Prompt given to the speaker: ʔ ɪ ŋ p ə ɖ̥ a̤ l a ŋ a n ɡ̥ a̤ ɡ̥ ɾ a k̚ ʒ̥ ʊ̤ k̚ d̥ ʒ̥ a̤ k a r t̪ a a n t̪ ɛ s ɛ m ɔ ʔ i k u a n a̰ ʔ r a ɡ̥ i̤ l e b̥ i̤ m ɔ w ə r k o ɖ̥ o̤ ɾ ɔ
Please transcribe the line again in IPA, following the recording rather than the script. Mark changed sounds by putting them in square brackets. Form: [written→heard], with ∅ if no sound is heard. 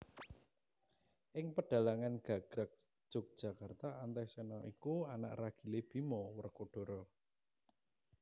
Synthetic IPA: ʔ ɪ ŋ p ə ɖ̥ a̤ l a ŋ a n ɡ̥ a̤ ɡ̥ ɾ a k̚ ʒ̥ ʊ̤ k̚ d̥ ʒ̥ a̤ k a r t̪ a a n t̪ ɛ s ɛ [m→n] ɔ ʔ i k u a n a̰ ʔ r a ɡ̥ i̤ l e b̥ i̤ m ɔ w ə r k o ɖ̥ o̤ ɾ ɔ